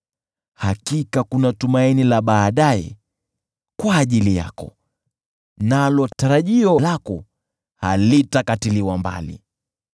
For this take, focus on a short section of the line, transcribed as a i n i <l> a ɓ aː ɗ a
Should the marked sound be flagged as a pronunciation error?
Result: no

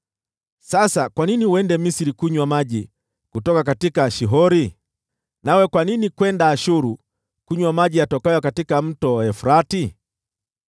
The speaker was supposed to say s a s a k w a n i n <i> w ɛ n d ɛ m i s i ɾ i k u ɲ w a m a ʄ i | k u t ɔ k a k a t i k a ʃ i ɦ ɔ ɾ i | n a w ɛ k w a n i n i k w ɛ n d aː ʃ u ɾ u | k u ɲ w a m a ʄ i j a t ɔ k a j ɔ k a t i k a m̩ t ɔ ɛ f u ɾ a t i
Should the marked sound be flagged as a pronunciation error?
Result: no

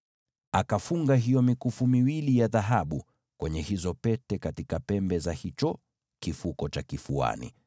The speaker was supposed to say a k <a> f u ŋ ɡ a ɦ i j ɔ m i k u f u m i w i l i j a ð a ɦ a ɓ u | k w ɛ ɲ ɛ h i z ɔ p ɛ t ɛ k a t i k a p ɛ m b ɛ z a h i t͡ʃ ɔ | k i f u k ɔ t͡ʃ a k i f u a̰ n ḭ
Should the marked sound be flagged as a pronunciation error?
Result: no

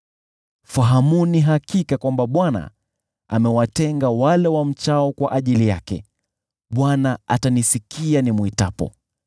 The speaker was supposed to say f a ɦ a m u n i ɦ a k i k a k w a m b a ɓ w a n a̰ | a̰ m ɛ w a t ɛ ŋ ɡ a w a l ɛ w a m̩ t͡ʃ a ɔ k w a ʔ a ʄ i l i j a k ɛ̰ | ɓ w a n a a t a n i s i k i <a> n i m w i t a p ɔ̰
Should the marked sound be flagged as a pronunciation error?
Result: no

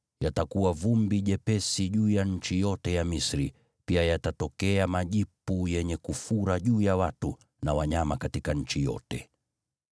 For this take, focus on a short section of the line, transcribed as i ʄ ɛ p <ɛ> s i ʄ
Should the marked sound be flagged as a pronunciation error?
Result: no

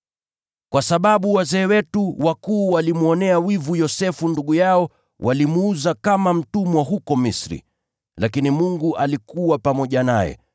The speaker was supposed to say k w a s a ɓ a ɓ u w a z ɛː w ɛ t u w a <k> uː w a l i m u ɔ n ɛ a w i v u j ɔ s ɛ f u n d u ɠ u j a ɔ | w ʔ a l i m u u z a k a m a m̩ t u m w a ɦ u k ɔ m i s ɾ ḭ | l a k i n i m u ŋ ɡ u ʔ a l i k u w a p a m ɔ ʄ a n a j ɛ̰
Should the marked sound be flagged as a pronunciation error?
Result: no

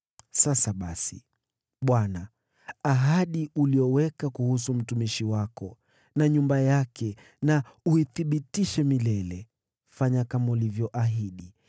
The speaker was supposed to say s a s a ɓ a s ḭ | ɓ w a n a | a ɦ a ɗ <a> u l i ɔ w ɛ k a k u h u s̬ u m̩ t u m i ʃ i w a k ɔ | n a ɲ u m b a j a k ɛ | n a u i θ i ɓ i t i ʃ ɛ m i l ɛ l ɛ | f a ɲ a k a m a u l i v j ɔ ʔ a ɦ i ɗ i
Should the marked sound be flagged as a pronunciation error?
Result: yes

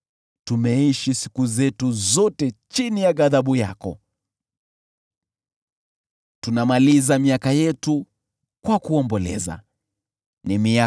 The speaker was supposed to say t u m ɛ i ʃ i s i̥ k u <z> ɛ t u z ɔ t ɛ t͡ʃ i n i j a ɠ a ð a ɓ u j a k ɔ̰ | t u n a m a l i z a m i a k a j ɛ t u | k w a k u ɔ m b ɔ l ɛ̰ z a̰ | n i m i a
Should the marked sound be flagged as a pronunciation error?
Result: no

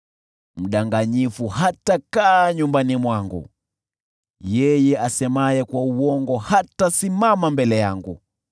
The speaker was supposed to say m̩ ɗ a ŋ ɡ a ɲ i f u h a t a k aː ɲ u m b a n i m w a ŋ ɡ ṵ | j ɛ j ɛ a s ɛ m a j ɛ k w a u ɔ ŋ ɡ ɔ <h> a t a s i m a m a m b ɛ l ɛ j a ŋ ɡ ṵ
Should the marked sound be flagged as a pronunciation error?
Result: no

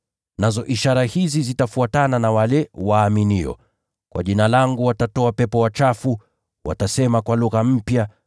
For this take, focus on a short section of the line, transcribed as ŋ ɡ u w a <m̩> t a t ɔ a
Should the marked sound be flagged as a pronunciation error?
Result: yes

